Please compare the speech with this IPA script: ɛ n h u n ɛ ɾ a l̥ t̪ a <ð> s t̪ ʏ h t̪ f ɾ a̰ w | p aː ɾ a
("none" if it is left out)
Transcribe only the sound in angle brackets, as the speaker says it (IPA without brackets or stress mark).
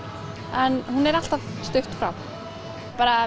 v